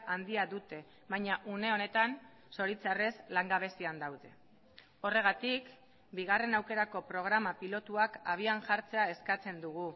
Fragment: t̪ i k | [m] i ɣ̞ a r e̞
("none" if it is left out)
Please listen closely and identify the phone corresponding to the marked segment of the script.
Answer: b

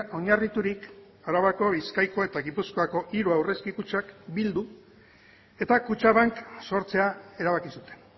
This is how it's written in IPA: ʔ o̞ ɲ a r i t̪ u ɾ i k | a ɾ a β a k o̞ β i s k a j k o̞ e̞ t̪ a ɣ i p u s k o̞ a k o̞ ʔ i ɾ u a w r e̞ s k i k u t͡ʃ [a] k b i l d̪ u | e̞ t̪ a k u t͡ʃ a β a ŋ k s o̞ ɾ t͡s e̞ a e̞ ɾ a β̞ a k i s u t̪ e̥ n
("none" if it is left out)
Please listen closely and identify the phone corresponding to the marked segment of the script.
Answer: a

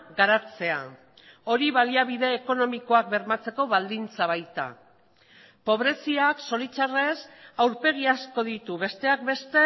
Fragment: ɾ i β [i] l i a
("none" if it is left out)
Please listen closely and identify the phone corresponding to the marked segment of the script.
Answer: a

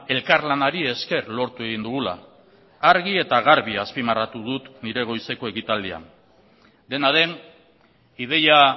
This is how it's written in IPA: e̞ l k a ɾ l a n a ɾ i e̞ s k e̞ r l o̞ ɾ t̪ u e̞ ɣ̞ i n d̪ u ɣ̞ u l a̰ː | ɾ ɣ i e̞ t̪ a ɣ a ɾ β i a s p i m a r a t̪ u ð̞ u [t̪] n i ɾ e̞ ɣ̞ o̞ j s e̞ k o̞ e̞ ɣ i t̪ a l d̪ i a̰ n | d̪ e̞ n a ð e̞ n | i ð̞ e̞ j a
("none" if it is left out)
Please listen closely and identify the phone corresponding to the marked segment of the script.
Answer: t̪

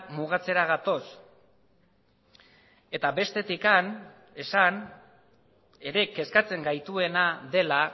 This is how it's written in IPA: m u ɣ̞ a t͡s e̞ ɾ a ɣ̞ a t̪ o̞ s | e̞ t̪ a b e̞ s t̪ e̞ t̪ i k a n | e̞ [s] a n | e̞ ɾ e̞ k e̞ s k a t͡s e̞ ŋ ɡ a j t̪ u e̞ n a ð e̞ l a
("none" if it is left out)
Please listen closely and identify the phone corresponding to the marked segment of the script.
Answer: s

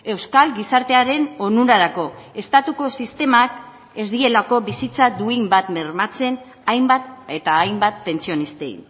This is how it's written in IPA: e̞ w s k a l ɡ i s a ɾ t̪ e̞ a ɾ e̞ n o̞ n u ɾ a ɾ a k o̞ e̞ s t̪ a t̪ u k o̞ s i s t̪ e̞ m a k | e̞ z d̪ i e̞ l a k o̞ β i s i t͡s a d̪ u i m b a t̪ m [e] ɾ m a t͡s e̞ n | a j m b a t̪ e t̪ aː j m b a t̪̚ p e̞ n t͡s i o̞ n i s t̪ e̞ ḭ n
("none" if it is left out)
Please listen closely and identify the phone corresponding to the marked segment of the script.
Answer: e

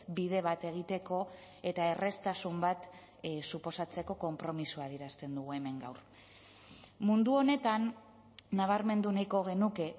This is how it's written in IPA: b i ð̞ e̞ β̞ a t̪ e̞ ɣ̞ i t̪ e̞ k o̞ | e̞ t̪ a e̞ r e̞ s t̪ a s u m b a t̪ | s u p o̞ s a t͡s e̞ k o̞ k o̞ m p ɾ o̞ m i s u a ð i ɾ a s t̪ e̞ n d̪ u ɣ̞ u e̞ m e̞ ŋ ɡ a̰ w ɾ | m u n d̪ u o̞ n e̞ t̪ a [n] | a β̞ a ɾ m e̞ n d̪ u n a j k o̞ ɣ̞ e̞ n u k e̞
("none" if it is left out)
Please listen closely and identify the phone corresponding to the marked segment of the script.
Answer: nː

